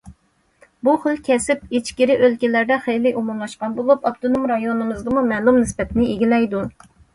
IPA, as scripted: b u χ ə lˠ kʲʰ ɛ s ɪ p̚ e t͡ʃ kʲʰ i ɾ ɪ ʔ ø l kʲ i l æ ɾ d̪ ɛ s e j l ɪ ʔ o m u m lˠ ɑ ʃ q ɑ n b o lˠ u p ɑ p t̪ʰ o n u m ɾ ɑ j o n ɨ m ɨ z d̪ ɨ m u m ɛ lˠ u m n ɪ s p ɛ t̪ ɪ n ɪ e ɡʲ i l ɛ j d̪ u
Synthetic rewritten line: b u χ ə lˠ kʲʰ ɛ s ɪ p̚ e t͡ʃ kʲ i ɾ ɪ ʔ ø l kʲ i l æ ɾ d̪ ɛ χ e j l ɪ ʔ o m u m lˠ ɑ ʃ q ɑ n b o lˠ u p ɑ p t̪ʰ o n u m ɾ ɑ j o n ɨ m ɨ z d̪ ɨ m u m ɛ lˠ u m n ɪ s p ɛ t̪ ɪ n ɪ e ɡʲ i l ɛ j d̪ u